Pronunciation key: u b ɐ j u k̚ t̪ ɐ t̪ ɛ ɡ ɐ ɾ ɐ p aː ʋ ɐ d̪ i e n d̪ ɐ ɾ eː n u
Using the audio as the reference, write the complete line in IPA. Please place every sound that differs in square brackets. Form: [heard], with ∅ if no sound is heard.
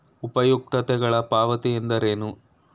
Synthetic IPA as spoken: u [p] ɐ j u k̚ t̪ ɐ t̪ ɛ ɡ ɐ [ɭ] ɐ p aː ʋ ɐ [t̪] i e n d̪ ɐ ɾ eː n u